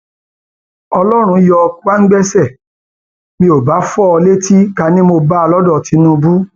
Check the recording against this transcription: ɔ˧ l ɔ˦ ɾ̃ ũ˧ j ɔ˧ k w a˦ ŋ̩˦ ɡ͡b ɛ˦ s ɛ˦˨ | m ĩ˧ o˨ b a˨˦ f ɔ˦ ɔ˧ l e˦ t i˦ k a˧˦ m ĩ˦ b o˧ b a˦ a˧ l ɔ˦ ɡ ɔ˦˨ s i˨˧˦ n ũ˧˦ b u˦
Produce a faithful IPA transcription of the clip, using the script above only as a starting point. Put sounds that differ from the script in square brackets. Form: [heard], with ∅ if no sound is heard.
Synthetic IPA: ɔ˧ l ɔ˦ ɾ̃ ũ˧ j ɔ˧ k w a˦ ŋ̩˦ ɡ͡b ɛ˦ s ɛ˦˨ | m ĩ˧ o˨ b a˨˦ f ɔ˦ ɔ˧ l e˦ t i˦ k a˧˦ [n] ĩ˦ [m] o˧ b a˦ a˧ l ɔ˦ [d] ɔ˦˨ [t] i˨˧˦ n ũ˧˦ b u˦